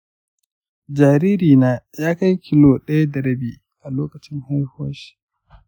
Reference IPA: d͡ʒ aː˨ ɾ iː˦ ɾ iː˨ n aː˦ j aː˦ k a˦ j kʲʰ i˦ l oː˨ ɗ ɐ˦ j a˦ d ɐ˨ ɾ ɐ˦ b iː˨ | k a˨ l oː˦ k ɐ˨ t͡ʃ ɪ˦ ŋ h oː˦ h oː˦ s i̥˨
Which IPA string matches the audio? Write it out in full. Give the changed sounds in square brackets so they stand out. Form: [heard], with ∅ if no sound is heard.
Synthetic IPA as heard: d͡ʒ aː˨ ɾ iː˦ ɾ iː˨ n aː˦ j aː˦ k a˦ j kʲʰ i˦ l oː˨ ɗ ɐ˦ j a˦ d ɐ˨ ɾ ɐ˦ b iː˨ | [ʔ] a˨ l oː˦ k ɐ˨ t͡ʃ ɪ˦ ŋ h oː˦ h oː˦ [ʃ] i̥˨